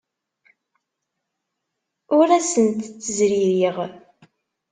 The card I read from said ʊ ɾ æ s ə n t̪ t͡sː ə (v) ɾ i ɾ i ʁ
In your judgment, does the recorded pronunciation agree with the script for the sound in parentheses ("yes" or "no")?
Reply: no